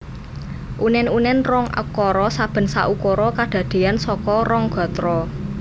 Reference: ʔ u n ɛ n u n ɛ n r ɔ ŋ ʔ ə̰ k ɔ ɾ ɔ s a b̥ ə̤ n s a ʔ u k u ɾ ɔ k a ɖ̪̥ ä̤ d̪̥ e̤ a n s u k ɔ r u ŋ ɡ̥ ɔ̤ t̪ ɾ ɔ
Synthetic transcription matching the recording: ʔ u n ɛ n u n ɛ n r ɔ ŋ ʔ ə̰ k ɔ ɾ ɔ s a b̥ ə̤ n s a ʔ u k ɔ ɾ ɔ k a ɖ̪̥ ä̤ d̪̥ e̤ a n s ɔ k ɔ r ɔ ŋ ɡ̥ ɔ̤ t̪ ɾ ɔ